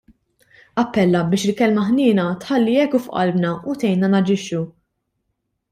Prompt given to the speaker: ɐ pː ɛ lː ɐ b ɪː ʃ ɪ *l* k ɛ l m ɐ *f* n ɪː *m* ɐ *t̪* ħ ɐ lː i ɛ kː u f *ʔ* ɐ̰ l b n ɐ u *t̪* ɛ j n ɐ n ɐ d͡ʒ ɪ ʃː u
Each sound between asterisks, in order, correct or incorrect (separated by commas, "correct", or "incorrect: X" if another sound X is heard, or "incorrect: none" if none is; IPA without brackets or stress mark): correct, incorrect: ħ, incorrect: n, correct, correct, correct